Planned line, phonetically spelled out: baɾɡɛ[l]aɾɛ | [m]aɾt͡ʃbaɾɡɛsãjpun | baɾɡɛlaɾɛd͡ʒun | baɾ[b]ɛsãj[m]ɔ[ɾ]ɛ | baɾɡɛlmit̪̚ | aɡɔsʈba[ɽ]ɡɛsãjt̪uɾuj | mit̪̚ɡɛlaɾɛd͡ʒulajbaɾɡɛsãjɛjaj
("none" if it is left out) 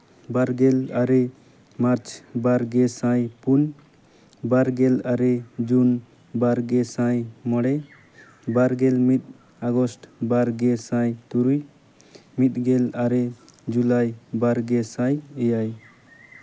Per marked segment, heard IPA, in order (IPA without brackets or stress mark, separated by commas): l, m, ɡ, m, ɽ, ɾ